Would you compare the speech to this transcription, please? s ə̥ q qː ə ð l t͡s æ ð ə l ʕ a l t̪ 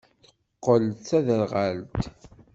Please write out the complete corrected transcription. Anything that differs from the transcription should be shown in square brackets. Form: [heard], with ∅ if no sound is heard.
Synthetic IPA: [θ] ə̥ q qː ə [∅] l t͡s æ ð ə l [ʁ] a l t̪